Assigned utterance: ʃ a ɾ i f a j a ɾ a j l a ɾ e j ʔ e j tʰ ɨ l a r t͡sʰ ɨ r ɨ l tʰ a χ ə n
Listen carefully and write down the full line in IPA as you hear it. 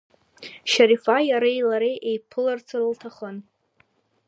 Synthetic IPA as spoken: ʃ a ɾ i f a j a ɾ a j l a ɾ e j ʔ e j pʰ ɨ l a r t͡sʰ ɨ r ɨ l tʰ a χ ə n